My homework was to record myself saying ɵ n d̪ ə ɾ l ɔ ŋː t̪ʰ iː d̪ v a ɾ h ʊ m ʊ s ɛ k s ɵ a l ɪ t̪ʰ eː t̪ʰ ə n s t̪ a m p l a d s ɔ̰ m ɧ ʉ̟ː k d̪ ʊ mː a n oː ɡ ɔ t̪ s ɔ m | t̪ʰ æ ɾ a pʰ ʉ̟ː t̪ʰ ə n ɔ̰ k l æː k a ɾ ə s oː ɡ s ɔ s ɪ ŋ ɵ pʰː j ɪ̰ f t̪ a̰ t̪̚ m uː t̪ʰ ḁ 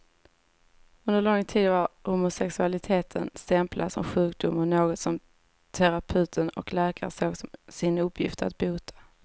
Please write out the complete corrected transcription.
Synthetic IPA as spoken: ɵ n d̪ ə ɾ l ɔ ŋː t̪ʰ iː d̪ v a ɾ h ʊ m ʊ s ɛ k s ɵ a l ɪ t̪ʰ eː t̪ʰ ə n s t̪ ɛ m p l a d s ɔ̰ m ɧ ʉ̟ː k d̪ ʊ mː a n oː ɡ ɔ t̪ s ɔ m | t̪ʰ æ ɾ a pʰ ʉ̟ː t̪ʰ ə n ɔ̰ k l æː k a ɾ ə s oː ɡ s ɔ s ɪ n ɵ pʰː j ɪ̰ f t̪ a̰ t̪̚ b uː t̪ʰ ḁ